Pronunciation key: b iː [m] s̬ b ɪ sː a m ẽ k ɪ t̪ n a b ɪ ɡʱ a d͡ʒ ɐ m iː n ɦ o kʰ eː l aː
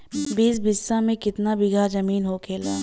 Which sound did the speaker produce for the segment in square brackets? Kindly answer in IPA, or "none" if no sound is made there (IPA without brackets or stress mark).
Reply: none